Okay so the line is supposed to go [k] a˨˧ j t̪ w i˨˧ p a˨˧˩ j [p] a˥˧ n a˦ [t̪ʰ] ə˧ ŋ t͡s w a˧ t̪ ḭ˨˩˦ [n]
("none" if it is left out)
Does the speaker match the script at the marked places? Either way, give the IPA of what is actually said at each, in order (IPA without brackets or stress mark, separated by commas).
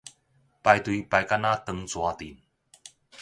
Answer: p, k, t̪, n